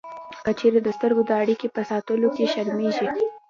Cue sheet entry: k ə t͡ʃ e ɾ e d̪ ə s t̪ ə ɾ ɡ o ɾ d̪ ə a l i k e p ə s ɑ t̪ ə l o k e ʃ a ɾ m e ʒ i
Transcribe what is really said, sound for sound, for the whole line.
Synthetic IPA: k ə t͡ʃ e ɾ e d̪ ə s t̪ ə ɾ ɡ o d̪ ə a ɽ i k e p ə s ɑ t̪ ə l o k e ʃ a ɾ m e ʒ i